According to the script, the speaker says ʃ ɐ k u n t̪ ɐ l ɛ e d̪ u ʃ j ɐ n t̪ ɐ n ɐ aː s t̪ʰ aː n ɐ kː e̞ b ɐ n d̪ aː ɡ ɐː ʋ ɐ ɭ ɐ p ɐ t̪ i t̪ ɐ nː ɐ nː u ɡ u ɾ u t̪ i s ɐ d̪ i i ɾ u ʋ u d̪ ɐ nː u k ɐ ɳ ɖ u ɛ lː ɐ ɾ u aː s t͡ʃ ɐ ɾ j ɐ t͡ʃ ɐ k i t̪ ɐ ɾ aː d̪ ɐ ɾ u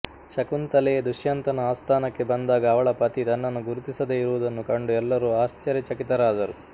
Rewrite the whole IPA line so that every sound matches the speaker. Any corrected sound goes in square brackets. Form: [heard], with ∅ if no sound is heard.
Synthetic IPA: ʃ ɐ k u n t̪ ɐ l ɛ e d̪ u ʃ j ɐ n t̪ ɐ n ɐ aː s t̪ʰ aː n ɐ kː e̞ b ɐ n d̪ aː ɡ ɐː ʋ ɐ ɭ ɐ p ɐ t̪ i t̪ ɐ nː ɐ nː u ɡ u ɾ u t̪ i s ɐ d̪ [e] i ɾ u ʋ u d̪ ɐ nː u k ɐ ɳ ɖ u ɛ lː ɐ ɾ u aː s t͡ʃ ɐ ɾ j ɐ t͡ʃ ɐ k i t̪ ɐ ɾ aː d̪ ɐ ɾ u